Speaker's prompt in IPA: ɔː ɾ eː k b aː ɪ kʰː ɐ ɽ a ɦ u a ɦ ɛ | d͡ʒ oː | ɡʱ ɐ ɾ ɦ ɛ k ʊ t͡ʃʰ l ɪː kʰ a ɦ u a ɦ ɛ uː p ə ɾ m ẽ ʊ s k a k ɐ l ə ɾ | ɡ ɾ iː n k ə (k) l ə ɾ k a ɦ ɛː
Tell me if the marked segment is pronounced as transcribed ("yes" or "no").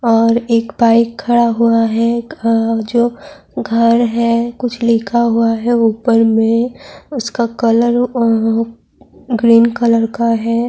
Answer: no